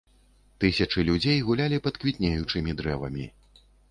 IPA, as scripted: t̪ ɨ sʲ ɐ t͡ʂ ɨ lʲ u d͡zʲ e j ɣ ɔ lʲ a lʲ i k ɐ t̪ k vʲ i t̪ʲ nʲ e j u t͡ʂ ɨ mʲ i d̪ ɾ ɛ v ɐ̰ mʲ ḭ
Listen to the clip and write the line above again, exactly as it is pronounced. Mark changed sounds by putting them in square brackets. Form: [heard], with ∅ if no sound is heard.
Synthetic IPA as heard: t̪ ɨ sʲ ɐ t͡ʂ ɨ lʲ u d͡zʲ e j ɣ [u] lʲ a lʲ i [p] ɐ t̪ k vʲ i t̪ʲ nʲ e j u t͡ʂ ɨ mʲ i d̪ ɾ ɛ v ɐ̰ mʲ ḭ